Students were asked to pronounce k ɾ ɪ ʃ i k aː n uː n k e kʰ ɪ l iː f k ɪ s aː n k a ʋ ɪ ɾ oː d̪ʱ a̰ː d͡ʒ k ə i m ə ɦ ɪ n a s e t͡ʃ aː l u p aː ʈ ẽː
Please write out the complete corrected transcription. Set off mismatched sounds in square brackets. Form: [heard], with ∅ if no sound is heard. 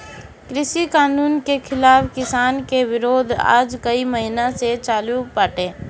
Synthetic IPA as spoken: k ɾ ɪ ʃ i k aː n uː n k e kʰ ɪ l [aː] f k ɪ s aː n k [e] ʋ ɪ ɾ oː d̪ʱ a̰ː d͡ʒ k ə i m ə ɦ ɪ n a s e t͡ʃ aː l u p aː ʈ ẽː